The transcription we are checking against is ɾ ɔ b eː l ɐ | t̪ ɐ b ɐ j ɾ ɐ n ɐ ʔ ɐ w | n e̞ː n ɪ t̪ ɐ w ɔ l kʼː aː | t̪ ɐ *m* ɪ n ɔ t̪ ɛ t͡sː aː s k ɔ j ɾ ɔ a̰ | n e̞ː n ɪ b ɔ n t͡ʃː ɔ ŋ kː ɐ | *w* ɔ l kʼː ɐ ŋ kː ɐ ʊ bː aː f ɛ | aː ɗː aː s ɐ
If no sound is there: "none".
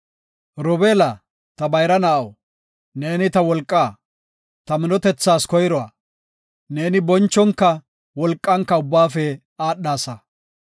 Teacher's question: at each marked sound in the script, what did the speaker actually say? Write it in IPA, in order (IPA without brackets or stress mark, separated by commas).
m, w